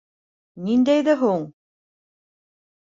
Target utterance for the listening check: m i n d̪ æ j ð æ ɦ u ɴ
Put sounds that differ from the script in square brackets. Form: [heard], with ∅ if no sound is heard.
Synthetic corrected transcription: [n] i n d̪ æ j ð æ ɦ u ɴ

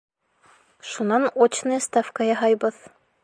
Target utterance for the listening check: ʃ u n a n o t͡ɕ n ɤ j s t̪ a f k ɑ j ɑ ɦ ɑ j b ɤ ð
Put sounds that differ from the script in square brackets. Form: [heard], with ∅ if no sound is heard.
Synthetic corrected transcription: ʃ u n [ɑ] n o t͡ɕ n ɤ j s t̪ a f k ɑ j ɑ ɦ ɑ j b ɤ ð

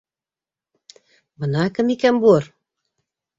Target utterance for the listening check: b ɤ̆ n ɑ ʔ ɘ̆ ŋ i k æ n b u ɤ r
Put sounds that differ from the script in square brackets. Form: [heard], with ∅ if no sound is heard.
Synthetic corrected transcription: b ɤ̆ n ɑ [k] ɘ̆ [m] i k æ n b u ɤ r

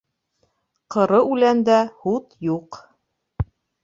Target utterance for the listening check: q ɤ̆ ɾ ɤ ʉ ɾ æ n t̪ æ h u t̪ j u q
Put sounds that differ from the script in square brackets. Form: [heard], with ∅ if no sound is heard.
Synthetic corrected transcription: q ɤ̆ ɾ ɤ ʉ [l] æ n [d̪] æ h u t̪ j u q

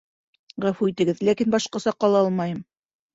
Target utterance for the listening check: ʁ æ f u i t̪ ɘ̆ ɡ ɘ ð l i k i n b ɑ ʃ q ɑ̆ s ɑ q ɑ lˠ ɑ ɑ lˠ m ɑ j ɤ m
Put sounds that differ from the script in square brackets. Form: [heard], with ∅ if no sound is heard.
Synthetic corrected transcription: ʁ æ f u i t̪ ɘ̆ ɡ ɘ ð l [æ] k i n b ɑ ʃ q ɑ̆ s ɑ q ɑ lˠ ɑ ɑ lˠ m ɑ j ɤ m

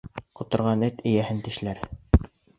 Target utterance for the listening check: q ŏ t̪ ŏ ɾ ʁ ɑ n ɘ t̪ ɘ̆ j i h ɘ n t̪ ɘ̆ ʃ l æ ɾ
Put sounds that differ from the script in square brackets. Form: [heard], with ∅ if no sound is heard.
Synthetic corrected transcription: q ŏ t̪ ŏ ɾ ʁ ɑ n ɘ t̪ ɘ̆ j [æ] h ɘ n t̪ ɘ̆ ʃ l æ ɾ

